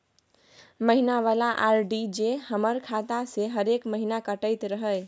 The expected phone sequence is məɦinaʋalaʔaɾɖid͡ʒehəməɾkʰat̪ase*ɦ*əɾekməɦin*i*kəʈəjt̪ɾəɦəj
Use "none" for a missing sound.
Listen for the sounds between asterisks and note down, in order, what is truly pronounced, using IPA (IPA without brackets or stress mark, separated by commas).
ɦ, a